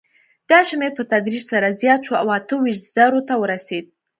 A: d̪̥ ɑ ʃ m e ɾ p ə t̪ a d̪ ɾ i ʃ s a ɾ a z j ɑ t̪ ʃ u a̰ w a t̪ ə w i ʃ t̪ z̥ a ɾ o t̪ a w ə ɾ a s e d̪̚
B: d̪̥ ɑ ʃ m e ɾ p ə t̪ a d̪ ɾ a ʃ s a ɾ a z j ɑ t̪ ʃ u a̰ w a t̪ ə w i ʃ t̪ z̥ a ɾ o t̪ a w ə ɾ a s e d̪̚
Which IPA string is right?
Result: A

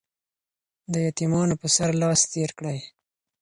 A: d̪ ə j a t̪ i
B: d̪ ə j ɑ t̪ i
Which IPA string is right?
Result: A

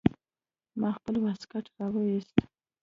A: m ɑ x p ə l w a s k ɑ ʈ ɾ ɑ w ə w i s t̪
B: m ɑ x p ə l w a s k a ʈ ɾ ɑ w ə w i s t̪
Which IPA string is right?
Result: B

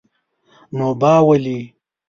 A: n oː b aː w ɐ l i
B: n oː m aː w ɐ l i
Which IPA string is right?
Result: A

